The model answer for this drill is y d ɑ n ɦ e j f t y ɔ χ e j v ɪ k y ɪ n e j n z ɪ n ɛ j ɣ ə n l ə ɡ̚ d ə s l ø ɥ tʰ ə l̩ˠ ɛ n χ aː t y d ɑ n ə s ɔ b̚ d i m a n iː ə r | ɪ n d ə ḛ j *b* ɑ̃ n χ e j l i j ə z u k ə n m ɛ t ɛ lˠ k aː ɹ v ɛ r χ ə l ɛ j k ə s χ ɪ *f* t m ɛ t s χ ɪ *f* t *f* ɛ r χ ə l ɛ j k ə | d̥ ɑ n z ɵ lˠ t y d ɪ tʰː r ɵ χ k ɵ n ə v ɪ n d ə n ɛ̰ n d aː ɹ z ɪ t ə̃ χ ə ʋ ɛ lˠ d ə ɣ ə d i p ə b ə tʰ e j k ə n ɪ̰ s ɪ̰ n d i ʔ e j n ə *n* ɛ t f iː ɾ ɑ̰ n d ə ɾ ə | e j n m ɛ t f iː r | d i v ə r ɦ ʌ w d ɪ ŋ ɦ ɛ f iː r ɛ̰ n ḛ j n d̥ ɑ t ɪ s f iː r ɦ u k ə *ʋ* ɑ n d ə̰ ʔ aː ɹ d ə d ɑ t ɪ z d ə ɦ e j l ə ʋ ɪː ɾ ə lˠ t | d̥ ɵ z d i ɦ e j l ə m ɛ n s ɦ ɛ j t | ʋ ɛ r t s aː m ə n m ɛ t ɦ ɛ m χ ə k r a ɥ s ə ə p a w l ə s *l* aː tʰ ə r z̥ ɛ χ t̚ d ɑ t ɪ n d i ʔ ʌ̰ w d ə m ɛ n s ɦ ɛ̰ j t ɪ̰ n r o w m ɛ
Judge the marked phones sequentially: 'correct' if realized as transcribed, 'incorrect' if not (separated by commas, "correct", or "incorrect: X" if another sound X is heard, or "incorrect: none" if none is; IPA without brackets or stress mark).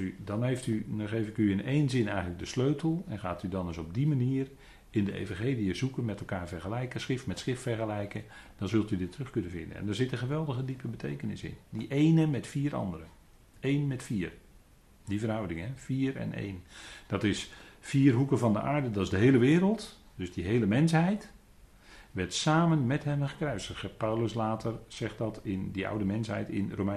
incorrect: v, correct, correct, correct, incorrect: m, incorrect: v, correct